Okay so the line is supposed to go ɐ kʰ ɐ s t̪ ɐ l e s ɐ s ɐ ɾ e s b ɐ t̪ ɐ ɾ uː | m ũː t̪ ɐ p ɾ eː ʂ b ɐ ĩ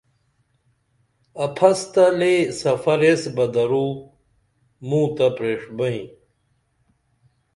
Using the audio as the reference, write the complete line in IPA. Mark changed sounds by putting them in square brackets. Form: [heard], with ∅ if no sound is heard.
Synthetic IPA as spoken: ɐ [pʰ] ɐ s t̪ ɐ l e s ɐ [f] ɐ ɾ e s b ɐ [d̪] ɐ ɾ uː | m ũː t̪ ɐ p ɾ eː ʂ b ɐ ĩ